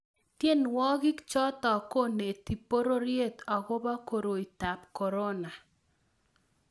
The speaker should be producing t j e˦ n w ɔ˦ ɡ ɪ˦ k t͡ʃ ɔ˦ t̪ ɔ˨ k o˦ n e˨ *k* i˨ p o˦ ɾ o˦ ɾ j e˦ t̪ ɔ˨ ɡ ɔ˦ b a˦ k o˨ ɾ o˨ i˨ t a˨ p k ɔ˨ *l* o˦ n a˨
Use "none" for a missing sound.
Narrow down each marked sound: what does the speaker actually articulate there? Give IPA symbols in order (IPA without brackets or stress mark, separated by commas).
t, ɾ